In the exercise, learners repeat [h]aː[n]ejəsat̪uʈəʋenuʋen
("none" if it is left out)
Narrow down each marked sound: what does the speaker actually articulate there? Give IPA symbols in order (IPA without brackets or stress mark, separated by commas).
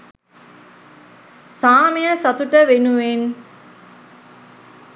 s, m